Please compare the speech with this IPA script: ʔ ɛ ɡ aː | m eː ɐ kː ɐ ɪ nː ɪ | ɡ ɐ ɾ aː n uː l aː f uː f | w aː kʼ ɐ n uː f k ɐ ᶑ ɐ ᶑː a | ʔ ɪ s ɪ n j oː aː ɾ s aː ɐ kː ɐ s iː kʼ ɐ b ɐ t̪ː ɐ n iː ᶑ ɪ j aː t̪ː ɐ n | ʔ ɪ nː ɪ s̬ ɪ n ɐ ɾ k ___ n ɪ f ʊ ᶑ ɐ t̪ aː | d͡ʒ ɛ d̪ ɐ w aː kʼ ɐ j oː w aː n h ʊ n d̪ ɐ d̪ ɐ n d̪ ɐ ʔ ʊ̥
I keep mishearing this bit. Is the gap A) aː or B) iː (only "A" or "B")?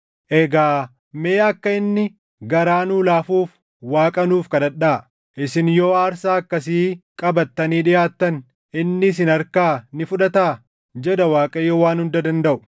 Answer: A